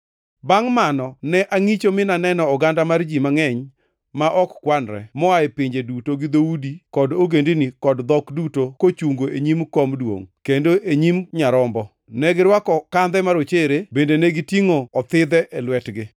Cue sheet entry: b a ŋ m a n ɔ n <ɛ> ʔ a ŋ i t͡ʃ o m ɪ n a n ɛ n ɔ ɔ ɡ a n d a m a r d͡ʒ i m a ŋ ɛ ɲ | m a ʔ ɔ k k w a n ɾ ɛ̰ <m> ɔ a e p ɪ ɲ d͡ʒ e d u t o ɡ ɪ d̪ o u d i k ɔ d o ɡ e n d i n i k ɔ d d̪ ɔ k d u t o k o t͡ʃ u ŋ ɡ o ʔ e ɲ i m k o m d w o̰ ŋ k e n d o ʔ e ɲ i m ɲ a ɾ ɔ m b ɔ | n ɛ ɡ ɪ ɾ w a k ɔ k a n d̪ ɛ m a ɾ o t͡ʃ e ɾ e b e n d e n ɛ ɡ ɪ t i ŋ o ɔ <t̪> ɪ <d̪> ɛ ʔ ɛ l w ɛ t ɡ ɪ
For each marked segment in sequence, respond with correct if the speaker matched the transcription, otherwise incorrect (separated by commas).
correct, correct, correct, correct